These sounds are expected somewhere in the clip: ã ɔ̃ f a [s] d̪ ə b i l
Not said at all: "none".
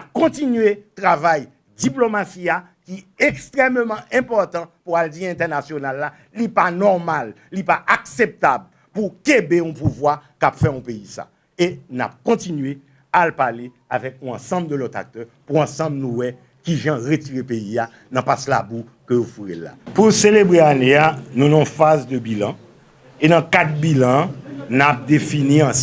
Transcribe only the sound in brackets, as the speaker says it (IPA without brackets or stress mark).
z